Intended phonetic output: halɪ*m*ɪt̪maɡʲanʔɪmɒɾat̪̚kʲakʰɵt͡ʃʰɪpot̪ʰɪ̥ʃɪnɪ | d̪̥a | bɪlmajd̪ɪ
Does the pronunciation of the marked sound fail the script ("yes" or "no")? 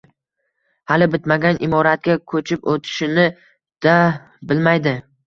yes